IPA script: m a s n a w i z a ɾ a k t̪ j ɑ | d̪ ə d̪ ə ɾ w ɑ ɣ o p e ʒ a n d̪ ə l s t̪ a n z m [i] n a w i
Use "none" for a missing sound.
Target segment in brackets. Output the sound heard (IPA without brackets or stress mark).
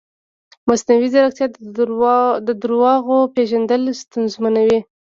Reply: a